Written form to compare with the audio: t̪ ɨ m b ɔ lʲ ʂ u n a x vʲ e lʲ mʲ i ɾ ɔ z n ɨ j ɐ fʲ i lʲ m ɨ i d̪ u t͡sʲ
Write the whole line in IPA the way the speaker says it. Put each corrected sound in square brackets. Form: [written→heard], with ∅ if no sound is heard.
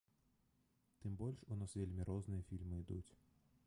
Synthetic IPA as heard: t̪ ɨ m b ɔ lʲ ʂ u n a [x→s] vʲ e lʲ mʲ i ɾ ɔ z n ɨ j ɐ fʲ i lʲ m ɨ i d̪ u t͡sʲ